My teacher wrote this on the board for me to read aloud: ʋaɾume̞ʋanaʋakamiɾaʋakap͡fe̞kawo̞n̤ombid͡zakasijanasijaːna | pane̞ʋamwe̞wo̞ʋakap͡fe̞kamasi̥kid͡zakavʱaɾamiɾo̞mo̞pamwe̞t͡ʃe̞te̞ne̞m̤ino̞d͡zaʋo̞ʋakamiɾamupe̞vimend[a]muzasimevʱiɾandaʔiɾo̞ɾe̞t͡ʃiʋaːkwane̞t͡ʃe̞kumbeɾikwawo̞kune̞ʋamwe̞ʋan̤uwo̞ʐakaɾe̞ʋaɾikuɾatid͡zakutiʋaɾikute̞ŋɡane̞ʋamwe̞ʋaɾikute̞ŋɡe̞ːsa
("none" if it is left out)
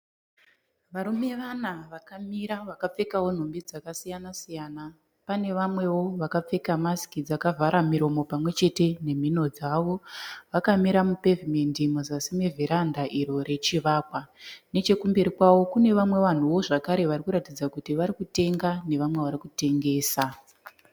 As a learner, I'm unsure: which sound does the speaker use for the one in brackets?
i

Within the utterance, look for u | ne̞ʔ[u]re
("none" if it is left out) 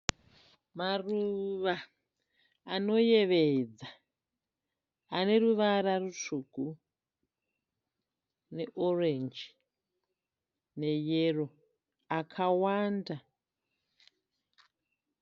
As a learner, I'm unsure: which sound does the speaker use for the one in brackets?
o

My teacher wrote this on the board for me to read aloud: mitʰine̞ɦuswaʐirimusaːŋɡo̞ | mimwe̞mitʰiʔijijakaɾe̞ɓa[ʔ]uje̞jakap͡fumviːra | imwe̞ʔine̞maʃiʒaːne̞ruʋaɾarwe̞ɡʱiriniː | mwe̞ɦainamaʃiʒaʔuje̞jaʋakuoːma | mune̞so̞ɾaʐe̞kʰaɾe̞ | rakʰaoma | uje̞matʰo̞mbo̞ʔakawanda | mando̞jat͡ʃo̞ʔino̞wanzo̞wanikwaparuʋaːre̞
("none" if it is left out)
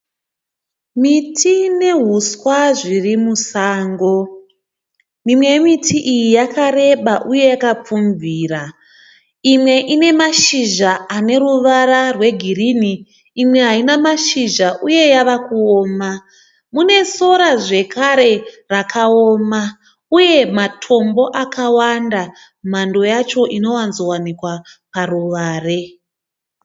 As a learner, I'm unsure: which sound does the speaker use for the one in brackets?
ʔ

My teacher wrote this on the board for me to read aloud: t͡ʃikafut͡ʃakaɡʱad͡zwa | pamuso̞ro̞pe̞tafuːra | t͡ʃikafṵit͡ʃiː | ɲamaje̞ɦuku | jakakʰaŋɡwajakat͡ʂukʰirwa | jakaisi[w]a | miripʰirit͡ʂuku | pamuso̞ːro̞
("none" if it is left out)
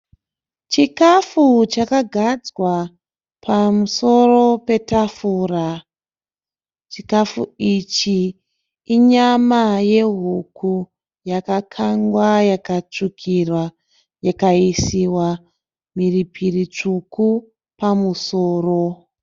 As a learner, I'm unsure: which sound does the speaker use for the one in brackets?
w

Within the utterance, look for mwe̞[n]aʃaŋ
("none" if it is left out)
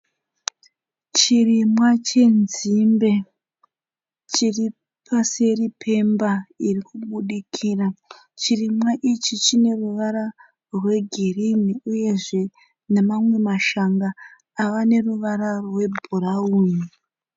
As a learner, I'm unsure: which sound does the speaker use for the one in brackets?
m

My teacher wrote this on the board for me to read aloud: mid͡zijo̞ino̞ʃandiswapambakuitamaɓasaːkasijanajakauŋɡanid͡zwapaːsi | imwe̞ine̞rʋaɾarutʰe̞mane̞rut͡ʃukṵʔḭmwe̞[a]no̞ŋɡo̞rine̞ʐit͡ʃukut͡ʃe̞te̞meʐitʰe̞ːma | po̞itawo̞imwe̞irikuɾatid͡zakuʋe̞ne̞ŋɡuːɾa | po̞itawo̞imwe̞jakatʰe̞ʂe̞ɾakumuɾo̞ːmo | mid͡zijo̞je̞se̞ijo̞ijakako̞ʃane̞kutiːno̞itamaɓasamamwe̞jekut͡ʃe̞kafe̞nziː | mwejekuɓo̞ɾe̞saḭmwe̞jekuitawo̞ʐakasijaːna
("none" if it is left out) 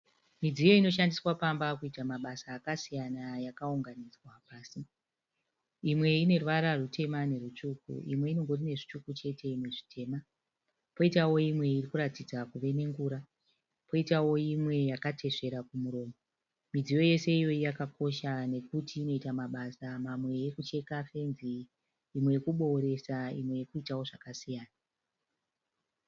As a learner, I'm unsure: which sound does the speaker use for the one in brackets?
i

